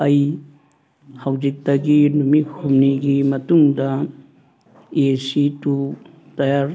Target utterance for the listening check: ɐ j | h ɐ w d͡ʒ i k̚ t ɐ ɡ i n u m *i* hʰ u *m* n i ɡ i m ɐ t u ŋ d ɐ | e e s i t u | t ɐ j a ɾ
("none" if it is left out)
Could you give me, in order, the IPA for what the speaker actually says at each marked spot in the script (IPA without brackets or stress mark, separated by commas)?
i, m